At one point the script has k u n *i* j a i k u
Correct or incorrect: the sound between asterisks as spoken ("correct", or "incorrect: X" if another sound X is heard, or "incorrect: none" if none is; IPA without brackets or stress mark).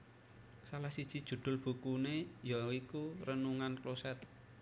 incorrect: e